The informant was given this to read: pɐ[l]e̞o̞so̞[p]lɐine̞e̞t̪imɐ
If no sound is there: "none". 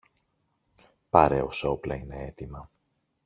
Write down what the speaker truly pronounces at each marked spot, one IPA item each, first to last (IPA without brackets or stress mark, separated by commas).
ɾ, p